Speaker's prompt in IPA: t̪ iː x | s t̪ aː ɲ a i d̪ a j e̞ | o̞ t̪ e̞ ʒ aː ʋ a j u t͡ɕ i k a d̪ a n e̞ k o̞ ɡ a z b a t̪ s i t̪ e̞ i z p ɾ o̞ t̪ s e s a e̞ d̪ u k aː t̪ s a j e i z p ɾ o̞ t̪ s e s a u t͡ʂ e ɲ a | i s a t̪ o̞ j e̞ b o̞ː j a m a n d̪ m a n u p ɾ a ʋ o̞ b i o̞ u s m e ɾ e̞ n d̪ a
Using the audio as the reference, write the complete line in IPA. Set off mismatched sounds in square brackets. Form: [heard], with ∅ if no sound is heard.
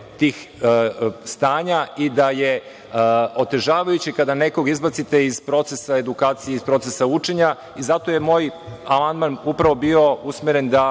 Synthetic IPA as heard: t̪ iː x | s t̪ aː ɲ a i d̪ a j e̞ | o̞ t̪ e̞ ʒ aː ʋ a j u t͡ɕ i k a d̪ a n e̞ k o̞ ɡ [i] z b a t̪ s i t̪ e̞ i z p ɾ o̞ t̪ s e s a e̞ d̪ u k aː t̪ s [i] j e i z p ɾ o̞ t̪ s e s a u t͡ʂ e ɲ a | i [z] a t̪ o̞ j e̞ [m] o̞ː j a m a n d̪ m a n u p ɾ a ʋ o̞ b i o̞ u s m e ɾ e̞ n d̪ a

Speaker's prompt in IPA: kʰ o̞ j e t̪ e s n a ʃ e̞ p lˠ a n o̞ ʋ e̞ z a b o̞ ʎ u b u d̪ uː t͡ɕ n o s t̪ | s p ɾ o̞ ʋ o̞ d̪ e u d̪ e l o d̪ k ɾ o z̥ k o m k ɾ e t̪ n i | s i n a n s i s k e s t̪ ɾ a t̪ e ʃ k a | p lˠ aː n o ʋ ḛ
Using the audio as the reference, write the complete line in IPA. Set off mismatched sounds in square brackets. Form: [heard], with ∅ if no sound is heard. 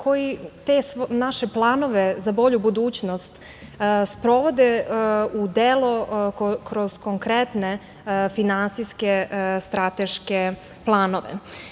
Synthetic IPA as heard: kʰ o̞ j [i] t̪ e s n a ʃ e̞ p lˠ a n o̞ ʋ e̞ z a b o̞ ʎ u b u d̪ uː t͡ɕ n o s t̪ | s p ɾ o̞ ʋ o̞ d̪ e u d̪ e l o [∅] k ɾ o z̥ k o [ŋ] k ɾ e t̪ n [e] | [f] i n a n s i s k e s t̪ ɾ a t̪ e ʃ k [e] | p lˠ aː n o ʋ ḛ

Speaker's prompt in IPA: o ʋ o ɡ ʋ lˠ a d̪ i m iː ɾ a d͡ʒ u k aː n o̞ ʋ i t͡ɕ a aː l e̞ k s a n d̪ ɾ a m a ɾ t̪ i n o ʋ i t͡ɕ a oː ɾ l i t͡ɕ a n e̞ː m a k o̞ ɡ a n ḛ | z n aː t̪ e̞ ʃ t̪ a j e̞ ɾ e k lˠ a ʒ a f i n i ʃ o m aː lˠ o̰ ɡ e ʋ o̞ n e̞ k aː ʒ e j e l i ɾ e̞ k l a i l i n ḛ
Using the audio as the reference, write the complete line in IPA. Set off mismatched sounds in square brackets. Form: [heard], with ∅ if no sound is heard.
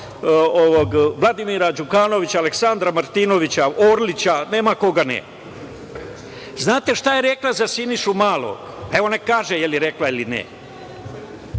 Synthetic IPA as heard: o ʋ o ɡ ʋ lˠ a d̪ i m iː ɾ a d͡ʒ u k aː n o̞ ʋ i t͡ɕ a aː l e̞ k s a n d̪ ɾ a m a ɾ t̪ i n o ʋ i t͡ɕ a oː ɾ l i t͡ɕ a n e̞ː m a k o̞ ɡ a n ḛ | z n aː t̪ e̞ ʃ t̪ a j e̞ ɾ e k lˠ a [z] a [s] i n i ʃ [u] m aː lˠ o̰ ɡ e ʋ o̞ n e̞ k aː ʒ e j e l i ɾ e̞ k l a i l i n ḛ

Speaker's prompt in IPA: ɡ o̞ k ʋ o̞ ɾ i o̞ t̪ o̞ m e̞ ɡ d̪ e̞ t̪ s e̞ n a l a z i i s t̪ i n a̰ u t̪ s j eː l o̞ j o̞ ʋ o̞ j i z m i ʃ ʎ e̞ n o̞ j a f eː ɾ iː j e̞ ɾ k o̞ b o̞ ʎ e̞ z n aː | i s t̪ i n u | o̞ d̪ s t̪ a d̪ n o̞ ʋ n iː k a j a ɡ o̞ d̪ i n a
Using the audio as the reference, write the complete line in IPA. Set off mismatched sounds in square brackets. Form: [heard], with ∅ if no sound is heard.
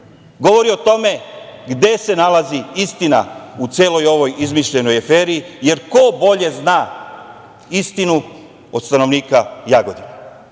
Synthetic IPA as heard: ɡ o̞ [∅] ʋ o̞ ɾ i o̞ t̪ o̞ m e̞ ɡ d̪ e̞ [∅] s e̞ n a l a z i i s t̪ i n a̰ u t̪ s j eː l o̞ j o̞ ʋ o̞ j i z m i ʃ ʎ e̞ n o̞ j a f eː ɾ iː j e̞ ɾ k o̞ b o̞ ʎ e̞ z n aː | i s t̪ i n u | o̞ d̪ s t̪ a [∅] n o̞ ʋ n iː k a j a ɡ o̞ d̪ i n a

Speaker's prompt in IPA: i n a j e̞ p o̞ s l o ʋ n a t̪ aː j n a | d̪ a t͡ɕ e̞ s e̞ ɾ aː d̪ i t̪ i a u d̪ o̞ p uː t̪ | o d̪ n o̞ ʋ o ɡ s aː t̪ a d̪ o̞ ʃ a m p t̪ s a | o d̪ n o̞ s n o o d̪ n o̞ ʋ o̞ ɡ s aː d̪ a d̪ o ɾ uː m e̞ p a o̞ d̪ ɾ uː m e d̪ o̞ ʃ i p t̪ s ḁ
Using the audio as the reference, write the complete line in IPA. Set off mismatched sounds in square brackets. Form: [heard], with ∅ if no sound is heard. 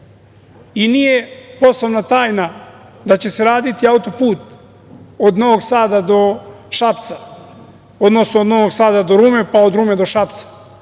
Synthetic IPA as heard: i n [i] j e̞ p o̞ s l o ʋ n a t̪ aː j n a | d̪ a t͡ɕ e̞ s e̞ ɾ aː d̪ i t̪ i a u [t̪] o̞ p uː t̪ | o d̪ n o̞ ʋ o ɡ s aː [d̪] a d̪ o̞ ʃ a [∅] p t̪ s a | o d̪ n o̞ s n o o d̪ n o̞ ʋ o̞ ɡ s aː d̪ a d̪ o ɾ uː m e̞ p a o̞ d̪ ɾ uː m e d̪ o̞ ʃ [a] p t̪ s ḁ

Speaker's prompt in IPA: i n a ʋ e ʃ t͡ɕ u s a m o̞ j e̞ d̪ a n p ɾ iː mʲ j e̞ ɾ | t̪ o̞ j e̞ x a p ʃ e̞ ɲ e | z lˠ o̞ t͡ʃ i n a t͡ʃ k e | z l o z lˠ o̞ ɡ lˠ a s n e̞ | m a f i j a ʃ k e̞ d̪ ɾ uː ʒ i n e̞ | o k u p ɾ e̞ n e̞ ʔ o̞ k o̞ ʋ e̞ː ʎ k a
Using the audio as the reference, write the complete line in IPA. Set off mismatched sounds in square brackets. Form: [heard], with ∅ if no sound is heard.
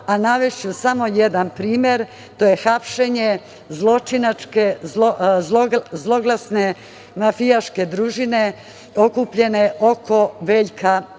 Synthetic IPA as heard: [a] n a ʋ e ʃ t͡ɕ u s a m o̞ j e̞ d̪ a n p ɾ iː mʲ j e̞ ɾ | t̪ o̞ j e̞ x a p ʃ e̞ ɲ e | z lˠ o̞ t͡ʃ i n a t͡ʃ k e | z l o z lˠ o̞ ɡ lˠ a s n e̞ | m a f i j a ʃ k e̞ d̪ ɾ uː ʒ i n e̞ | o k u p [ʎ] e̞ n e̞ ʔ o̞ k o̞ ʋ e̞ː ʎ k a

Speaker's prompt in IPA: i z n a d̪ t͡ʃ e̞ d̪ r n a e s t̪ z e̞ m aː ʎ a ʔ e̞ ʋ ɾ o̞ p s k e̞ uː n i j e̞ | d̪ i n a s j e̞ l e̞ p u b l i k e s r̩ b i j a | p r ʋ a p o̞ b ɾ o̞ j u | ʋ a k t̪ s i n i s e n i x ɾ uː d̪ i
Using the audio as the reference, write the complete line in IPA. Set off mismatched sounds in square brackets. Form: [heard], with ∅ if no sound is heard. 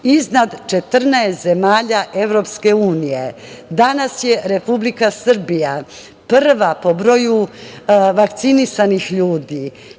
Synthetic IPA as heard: i z n a d̪ t͡ʃ e̞ [t̪] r n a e s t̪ z e̞ m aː ʎ a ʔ e̞ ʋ ɾ o̞ p s k e̞ uː n i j e̞ | d̪ [a] n a s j e̞ [ɾ] e̞ p u b l i k [a] s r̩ b i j a | p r ʋ a p o̞ b ɾ o̞ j u | ʋ a k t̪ s i n i s [a] n i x [ʎ] uː d̪ i

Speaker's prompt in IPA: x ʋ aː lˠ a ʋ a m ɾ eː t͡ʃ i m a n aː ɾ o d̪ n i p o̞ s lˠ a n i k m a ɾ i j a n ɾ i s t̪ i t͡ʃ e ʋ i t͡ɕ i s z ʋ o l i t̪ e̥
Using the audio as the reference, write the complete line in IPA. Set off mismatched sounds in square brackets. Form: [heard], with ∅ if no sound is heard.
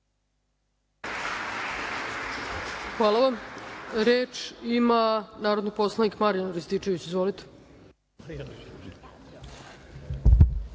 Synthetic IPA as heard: x ʋ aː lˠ a ʋ a m ɾ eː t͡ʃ i m a n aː ɾ o d̪ n i p o̞ s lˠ a n i k m a ɾ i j a n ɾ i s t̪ i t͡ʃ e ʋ i t͡ɕ i [∅] z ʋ o l i t̪ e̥

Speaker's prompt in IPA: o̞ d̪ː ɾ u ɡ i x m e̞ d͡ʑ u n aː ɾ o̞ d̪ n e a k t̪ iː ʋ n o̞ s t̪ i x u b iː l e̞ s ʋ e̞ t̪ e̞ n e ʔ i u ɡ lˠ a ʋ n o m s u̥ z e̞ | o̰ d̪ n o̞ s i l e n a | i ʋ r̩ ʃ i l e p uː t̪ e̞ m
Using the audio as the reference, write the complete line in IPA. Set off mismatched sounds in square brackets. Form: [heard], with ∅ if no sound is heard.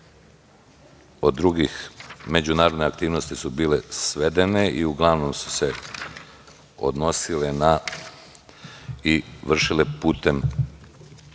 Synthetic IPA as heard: o̞ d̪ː ɾ u ɡ i x m e̞ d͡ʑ u n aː ɾ o̞ d̪ n e a k t̪ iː ʋ n o̞ s t̪ i [s] u b iː l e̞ s ʋ e̞ [d̪] e̞ n e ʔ i u ɡ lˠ a ʋ n o m s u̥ [s] e̞ | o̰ d̪ n o̞ s i l e n a | i ʋ r̩ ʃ i l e p uː t̪ e̞ m

